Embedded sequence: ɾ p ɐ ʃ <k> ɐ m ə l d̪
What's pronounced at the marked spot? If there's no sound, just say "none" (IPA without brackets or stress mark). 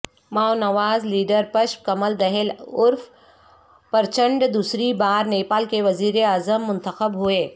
k